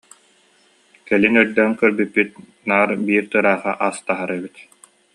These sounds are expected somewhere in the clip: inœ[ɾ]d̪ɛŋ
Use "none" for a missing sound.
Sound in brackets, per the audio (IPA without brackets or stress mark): ɾ